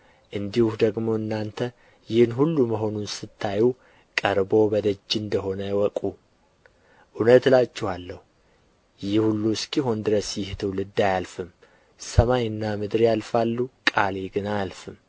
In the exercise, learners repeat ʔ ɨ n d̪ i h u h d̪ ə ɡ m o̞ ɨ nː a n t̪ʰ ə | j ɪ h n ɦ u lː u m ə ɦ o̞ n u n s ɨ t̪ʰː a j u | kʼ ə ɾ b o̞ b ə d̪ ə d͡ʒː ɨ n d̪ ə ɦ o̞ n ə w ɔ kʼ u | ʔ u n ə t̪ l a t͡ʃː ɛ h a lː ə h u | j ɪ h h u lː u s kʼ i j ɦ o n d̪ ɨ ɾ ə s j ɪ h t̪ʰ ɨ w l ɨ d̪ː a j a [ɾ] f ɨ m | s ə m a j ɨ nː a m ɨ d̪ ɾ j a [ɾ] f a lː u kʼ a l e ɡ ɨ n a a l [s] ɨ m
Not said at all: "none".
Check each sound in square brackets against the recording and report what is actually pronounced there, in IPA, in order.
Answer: l, l, f

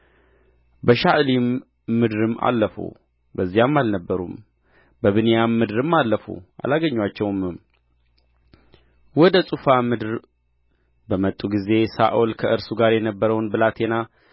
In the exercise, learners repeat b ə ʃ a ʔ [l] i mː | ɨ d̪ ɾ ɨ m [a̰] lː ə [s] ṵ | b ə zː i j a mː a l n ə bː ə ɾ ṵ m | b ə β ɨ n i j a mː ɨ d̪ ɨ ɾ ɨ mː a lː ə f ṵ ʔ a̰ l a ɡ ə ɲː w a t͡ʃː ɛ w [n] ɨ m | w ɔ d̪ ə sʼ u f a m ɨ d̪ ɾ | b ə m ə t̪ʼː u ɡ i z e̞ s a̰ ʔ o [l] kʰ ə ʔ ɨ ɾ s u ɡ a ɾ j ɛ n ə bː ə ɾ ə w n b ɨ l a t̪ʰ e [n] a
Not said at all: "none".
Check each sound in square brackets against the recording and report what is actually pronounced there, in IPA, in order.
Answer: l, a̰, f, m, l, n

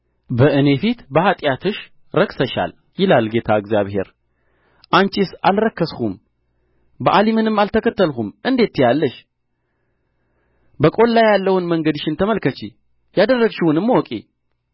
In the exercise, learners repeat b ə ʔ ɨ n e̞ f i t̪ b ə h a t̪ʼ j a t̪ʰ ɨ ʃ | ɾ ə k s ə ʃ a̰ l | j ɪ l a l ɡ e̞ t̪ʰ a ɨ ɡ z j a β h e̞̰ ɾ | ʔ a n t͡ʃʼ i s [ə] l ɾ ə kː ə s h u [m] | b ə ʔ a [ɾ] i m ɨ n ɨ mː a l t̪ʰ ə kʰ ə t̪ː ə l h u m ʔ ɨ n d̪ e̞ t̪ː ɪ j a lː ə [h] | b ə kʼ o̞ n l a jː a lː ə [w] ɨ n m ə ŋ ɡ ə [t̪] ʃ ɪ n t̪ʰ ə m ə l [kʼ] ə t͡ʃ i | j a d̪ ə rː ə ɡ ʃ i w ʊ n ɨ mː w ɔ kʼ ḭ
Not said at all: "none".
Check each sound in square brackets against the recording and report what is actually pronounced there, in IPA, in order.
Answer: a, m, l, ʃ, w, d̪, k

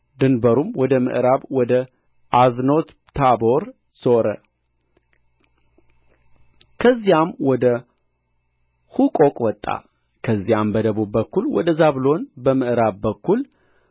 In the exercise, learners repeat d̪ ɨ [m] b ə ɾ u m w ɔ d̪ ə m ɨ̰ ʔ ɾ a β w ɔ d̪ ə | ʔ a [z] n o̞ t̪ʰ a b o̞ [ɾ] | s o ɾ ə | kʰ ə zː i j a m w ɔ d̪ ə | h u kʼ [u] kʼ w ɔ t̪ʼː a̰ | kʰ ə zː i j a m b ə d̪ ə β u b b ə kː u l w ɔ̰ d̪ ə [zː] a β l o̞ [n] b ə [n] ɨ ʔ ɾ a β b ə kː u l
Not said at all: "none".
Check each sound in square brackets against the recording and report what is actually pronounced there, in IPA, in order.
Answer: n, z, ɾ, o, z, n, m

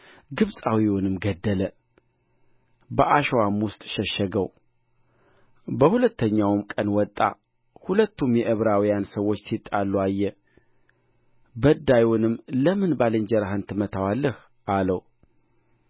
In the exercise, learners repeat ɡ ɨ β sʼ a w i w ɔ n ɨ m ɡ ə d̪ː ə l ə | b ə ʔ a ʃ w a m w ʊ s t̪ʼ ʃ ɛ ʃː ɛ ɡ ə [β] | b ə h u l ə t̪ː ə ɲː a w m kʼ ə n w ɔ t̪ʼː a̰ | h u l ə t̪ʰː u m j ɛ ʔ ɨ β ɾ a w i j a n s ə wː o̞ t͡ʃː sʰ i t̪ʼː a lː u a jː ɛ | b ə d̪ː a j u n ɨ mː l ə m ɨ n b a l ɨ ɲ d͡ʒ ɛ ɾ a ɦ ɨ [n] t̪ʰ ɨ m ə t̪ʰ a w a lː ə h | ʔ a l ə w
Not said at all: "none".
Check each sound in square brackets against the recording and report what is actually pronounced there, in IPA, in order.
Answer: w, n

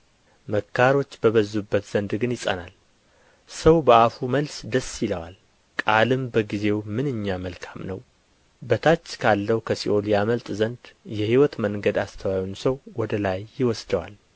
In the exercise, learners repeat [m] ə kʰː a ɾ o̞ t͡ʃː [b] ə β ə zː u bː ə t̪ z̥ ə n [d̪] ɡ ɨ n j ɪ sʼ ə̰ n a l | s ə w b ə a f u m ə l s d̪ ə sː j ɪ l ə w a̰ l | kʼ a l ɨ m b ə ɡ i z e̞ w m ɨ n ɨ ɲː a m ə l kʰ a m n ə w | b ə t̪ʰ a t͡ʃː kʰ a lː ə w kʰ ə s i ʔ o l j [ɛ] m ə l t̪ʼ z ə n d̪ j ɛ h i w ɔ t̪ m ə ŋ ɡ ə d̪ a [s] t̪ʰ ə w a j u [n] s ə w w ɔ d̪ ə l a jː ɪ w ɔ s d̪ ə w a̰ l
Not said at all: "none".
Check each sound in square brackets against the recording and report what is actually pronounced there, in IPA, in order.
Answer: m, b, d̪, a, s, n

